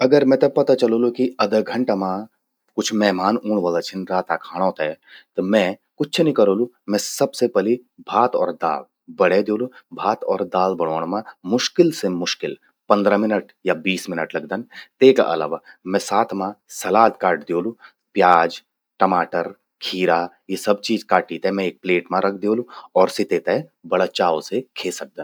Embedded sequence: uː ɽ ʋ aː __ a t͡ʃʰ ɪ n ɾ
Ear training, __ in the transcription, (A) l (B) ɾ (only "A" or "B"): A